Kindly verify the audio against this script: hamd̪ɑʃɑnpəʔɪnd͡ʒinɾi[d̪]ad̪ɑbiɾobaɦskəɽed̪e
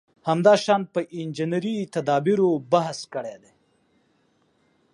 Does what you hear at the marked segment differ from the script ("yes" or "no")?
yes